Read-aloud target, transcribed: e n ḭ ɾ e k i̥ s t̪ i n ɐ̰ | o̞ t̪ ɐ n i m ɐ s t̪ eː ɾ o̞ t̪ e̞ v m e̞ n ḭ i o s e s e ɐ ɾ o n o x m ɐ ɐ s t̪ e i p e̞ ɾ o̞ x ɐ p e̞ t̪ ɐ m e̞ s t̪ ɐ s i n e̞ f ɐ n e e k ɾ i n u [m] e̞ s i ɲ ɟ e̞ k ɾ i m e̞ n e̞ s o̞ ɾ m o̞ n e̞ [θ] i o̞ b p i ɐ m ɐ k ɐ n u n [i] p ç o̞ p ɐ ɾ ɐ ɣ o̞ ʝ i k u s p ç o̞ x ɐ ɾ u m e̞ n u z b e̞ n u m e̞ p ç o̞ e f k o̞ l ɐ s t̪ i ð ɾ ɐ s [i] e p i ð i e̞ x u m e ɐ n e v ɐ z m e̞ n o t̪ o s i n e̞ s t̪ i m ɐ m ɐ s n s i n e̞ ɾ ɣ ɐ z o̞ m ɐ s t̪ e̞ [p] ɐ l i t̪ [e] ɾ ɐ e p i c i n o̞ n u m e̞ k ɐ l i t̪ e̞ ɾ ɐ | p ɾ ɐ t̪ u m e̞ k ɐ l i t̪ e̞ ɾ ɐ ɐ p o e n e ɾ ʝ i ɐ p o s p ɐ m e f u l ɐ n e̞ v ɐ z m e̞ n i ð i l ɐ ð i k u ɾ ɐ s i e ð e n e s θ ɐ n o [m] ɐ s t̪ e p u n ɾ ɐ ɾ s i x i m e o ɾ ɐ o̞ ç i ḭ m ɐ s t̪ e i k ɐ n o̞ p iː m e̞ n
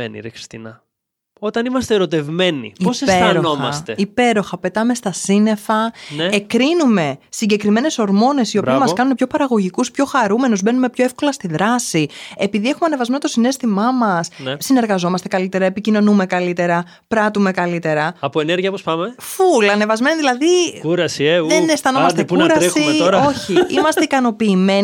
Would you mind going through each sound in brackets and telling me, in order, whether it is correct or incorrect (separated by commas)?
correct, incorrect, incorrect, correct, incorrect, correct, correct